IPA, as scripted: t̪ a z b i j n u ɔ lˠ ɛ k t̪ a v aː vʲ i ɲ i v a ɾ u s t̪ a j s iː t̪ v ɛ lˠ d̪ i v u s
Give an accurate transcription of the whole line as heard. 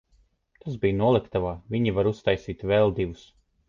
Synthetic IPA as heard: t̪ a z b i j n u ɔ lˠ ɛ k t̪ a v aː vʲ i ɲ i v a ɾ u s t̪ a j s iː t̪ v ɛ lˠ d̪ i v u s